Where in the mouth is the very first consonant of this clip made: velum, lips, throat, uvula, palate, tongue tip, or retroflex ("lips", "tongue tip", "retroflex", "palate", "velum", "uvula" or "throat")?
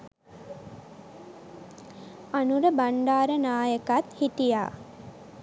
tongue tip